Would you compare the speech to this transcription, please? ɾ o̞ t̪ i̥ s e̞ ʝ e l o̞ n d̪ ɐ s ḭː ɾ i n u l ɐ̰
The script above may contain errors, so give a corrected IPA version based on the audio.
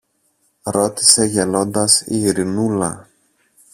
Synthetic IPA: ɾ o̞ t̪ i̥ s e̞ ʝ e l o̞ n d̪ ɐ s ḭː ɾ i n u l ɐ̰